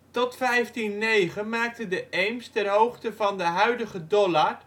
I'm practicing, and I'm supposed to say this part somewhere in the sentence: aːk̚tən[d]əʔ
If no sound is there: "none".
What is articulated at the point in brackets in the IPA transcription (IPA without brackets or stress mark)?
d